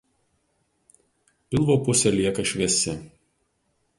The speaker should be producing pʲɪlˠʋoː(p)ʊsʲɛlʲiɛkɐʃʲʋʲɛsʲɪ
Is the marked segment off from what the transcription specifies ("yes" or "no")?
no